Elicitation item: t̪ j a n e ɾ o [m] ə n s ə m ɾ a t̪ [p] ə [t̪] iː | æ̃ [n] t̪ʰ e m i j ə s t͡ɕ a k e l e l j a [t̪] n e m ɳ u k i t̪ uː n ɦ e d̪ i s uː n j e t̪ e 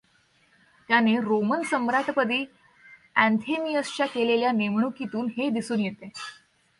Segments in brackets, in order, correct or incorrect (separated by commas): correct, correct, incorrect, correct, incorrect